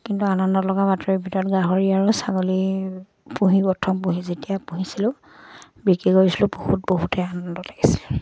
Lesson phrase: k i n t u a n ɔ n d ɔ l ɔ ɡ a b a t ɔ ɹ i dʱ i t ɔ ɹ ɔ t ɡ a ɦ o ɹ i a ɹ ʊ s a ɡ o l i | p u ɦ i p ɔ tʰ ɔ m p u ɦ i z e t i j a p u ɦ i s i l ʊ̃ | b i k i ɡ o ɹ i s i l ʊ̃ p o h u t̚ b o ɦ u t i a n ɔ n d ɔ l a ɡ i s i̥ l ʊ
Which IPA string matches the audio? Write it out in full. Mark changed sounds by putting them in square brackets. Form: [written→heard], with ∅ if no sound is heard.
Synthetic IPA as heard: k i n t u a n ɔ n d ɔ l ɔ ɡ a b a t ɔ ɹ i [dʱ→bʱ] i t ɔ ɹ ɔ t ɡ a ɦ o ɹ i a ɹ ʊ s a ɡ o l i | p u ɦ i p ɔ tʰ ɔ m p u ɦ i z e t i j a p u ɦ i s i l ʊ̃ | b i k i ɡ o ɹ i s i l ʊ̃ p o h u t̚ b o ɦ u t [i→ɛ] a n ɔ n d ɔ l a ɡ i s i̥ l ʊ